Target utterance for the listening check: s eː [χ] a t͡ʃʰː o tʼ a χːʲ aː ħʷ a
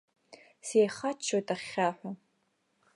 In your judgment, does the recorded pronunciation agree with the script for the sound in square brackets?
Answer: yes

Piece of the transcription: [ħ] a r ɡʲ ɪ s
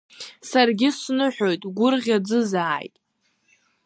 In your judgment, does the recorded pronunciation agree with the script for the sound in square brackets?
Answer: no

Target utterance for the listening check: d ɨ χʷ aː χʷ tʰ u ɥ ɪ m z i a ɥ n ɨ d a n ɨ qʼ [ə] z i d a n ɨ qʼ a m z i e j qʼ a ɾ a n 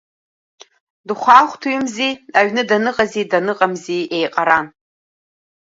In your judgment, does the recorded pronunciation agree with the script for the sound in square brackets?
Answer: no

